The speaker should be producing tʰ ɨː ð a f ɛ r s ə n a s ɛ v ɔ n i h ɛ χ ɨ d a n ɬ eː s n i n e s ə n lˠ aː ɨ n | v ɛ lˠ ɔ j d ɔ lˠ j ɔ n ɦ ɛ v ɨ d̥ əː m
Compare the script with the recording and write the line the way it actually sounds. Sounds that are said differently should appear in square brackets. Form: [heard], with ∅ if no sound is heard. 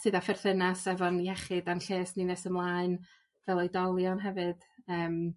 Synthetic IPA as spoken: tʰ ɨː ð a f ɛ r [θ] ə n a s ɛ v ɔ n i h ɛ χ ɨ d a n ɬ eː s n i n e s ə [m] lˠ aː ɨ n | v ɛ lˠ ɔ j d ɔ lˠ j ɔ n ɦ ɛ v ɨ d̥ əː m